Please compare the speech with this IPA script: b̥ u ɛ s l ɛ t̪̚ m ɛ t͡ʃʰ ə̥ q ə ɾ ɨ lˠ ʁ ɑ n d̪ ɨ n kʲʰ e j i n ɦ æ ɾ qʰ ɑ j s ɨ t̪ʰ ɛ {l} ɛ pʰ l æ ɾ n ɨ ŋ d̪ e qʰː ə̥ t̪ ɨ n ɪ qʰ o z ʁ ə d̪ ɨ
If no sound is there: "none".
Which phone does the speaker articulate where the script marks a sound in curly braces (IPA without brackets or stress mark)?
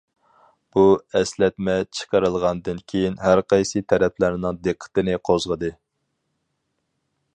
ɾ